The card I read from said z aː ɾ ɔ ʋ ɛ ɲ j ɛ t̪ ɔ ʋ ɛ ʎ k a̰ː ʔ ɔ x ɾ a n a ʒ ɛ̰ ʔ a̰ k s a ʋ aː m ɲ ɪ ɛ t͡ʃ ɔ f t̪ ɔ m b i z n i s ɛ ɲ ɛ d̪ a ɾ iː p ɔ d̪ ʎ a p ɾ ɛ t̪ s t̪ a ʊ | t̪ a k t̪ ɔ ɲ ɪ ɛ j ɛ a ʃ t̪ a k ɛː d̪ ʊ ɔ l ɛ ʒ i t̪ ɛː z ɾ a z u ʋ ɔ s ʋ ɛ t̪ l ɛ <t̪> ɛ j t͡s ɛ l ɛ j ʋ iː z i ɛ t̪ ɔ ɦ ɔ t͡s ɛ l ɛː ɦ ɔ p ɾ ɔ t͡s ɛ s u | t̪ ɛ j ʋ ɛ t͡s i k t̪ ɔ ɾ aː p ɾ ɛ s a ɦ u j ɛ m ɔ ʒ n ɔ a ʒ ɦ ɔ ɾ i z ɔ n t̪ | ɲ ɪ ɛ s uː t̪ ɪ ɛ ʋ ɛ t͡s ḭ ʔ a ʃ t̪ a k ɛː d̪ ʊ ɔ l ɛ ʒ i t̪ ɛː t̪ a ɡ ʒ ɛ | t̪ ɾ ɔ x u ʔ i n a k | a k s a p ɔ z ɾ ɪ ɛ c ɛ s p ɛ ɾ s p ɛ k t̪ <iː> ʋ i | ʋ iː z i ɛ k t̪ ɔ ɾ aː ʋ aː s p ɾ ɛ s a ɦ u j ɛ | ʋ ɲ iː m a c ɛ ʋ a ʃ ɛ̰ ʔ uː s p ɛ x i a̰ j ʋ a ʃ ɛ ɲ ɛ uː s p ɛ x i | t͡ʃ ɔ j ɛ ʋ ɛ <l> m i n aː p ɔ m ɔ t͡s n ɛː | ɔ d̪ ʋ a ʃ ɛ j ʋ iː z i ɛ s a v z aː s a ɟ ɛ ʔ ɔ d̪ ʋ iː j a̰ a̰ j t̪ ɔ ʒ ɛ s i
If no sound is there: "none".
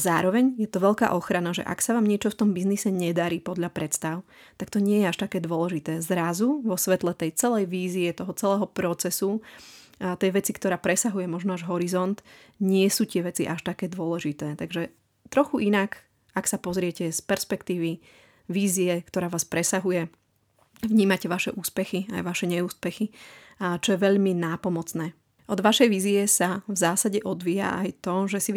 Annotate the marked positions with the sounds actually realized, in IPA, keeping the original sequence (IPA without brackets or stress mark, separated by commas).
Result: t̪, iː, ʎ